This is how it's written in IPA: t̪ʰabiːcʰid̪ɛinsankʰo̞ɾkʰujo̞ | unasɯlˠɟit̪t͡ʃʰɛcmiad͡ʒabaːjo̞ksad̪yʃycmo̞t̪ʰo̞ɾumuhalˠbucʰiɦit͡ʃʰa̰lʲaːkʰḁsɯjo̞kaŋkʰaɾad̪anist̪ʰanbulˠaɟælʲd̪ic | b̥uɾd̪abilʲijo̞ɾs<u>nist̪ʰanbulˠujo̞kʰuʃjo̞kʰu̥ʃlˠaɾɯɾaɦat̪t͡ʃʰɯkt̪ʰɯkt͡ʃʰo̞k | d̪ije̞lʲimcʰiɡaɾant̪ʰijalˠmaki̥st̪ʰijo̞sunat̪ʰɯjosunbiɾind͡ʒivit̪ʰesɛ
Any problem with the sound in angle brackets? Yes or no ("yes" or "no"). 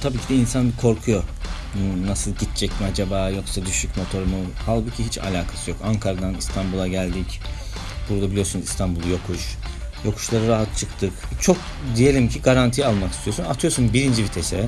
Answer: no